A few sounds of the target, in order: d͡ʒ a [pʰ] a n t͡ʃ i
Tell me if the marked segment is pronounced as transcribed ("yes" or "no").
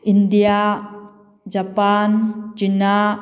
no